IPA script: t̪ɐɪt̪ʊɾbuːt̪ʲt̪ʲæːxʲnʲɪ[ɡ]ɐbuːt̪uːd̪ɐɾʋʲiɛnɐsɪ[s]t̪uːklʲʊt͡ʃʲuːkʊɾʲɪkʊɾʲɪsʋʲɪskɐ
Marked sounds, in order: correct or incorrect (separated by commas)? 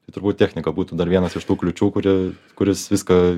incorrect, incorrect